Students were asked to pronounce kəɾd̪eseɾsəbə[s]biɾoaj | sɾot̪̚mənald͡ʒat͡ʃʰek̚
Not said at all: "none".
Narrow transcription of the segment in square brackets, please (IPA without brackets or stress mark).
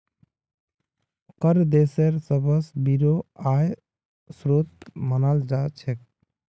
s